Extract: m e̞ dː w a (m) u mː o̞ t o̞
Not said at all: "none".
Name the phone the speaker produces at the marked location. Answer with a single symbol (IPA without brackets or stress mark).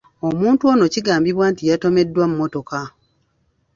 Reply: m